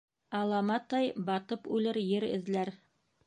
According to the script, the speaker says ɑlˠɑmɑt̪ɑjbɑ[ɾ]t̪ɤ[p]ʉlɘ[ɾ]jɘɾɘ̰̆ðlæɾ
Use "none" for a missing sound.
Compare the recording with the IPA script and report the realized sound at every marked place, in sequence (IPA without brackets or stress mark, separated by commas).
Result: none, p, ɾ